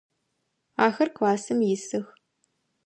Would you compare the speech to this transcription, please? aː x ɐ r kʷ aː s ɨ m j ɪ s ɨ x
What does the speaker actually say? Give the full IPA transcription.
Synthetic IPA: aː x ɐ r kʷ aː s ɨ m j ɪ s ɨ x